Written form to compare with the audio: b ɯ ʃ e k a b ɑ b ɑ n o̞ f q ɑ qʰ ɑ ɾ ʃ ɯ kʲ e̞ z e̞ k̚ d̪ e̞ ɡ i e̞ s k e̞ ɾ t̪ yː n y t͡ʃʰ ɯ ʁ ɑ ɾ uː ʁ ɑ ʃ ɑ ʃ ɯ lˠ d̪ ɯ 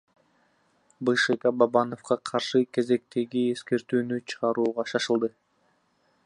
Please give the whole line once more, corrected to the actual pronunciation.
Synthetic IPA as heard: b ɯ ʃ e k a b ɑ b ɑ n o̞ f q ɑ qʰ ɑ ɾ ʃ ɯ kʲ e̞ z e̞ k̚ t̪ e̞ ɡ i e̞ s k e̞ ɾ t̪ yː n y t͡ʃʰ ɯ ʁ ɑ ɾ uː ʁ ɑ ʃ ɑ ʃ ɯ lˠ d̪ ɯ